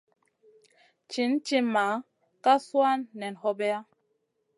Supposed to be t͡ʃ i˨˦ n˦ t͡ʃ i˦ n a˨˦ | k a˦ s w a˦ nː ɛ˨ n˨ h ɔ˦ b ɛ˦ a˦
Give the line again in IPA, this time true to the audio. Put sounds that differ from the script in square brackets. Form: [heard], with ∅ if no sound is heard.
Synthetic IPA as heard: t͡ʃ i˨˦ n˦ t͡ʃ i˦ [m] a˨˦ | k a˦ s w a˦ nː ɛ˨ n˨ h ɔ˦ b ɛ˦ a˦